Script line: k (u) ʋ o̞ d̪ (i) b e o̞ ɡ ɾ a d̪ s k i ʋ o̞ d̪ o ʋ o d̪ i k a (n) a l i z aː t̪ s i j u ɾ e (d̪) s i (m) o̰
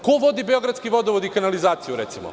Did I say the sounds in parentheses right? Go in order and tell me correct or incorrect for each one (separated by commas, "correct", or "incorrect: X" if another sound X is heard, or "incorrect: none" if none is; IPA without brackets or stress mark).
incorrect: o, correct, correct, incorrect: t̪, correct